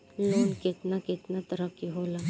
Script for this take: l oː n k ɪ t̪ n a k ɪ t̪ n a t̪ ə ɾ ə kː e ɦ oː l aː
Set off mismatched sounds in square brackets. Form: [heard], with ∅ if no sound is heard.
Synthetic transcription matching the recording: l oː n k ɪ t̪ n a k ɪ t̪ n a t̪ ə ɾ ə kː [i] ɦ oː l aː